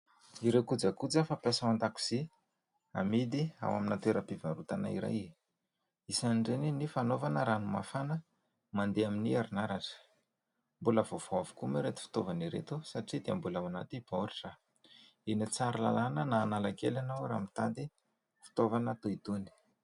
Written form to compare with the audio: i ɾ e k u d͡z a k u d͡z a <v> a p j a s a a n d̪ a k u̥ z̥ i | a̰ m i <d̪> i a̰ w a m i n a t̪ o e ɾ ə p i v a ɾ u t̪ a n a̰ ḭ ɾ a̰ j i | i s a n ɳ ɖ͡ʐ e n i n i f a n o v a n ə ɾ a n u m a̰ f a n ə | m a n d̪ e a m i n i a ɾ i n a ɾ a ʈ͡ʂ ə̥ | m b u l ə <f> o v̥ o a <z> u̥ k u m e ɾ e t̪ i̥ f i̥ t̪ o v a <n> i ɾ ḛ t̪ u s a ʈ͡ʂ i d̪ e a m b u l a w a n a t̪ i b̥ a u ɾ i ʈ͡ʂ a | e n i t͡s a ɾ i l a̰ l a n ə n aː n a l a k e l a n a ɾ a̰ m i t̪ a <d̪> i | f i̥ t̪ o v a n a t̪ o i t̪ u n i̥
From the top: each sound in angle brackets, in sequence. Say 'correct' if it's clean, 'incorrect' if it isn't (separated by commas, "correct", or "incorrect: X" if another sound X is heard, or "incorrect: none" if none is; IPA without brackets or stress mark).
incorrect: f, correct, incorrect: v, incorrect: v, correct, correct